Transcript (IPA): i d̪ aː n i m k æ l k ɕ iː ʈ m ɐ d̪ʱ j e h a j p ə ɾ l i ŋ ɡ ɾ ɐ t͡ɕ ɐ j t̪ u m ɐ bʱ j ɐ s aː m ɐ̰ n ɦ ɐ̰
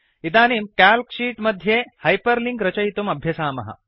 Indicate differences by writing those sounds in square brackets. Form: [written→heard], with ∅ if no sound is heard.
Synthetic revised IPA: i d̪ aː n i m k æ l k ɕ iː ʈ m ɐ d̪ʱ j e h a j p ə ɾ l i ŋ ɡ ɾ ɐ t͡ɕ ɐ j t̪ u m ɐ bʱ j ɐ s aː m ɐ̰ [n→∅] ɦ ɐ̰

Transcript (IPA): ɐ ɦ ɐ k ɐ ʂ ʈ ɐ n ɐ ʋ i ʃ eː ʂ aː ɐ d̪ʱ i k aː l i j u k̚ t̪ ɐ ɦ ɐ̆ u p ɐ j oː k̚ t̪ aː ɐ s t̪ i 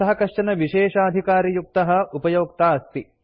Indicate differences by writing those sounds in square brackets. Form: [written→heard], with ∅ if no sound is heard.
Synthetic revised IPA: ɐ ɦ ɐ k ɐ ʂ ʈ ɐ n ɐ ʋ i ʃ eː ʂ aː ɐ d̪ʱ i k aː [l→ɾ] i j u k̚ t̪ ɐ ɦ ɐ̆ u p ɐ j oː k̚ t̪ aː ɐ s t̪ i

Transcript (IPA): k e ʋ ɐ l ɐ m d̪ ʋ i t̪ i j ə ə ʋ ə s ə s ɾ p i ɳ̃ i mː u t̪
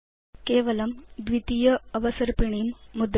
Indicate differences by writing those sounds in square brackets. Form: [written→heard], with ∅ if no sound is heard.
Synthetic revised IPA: k e ʋ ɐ l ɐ m d̪ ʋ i t̪ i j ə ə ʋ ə s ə [s→∅] ɾ p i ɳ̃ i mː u [t̪→d̪]

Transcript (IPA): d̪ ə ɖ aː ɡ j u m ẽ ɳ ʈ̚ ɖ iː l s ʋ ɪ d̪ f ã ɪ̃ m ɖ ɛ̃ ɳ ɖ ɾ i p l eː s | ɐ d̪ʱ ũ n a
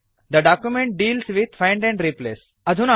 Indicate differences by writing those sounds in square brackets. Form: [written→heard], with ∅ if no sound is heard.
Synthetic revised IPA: d̪ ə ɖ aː [ɡ→k] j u m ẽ ɳ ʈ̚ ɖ iː l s ʋ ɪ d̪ f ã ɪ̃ [m→ɳ] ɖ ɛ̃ ɳ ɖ ɾ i p l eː s | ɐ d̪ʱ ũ n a

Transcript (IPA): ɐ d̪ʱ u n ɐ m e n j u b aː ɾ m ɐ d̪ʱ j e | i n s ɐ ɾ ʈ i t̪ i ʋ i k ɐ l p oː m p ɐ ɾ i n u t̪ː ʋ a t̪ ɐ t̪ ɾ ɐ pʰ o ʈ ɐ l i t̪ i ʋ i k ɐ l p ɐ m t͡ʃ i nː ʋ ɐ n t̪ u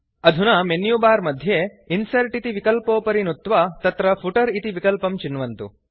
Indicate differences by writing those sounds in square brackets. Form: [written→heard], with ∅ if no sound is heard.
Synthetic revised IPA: ɐ d̪ʱ u n ɐ m e n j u b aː ɾ m ɐ d̪ʱ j e | i n s ɐ ɾ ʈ i t̪ i ʋ i k ɐ l p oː [m→∅] p ɐ ɾ i n u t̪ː ʋ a t̪ ɐ t̪ ɾ ɐ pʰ [o→u] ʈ ɐ [l→ɾ] i t̪ i ʋ i k ɐ l p ɐ m t͡ʃ i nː ʋ ɐ n t̪ u

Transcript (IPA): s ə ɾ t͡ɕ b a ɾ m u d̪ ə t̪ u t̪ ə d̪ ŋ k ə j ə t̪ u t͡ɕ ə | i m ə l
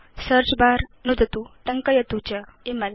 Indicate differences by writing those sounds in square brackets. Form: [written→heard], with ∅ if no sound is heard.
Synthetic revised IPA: s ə ɾ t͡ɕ b a ɾ [m→n] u d̪ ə t̪ u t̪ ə [d̪→∅] ŋ k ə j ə t̪ u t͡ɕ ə | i m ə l

